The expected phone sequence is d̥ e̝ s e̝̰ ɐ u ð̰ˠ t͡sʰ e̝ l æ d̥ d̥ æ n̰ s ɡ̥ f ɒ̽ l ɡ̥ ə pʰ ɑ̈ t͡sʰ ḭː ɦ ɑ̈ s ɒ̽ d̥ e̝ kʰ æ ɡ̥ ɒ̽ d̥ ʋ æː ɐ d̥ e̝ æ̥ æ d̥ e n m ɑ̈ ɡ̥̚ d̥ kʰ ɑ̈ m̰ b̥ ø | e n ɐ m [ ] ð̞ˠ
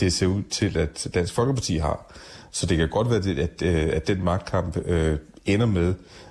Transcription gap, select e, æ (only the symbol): e